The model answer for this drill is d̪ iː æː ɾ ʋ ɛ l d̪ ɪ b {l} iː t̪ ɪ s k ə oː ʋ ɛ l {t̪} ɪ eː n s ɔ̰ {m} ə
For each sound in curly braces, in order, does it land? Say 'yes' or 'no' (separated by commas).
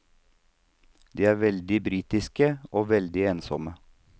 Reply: no, no, yes